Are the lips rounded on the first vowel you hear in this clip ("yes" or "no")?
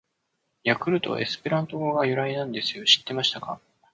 no